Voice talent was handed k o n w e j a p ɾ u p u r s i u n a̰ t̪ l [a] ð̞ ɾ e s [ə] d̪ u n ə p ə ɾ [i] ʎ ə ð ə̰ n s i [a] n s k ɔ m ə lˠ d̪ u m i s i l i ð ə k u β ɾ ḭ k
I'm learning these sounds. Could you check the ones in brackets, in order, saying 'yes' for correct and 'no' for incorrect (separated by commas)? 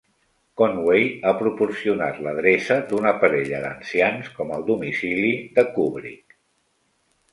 no, yes, no, yes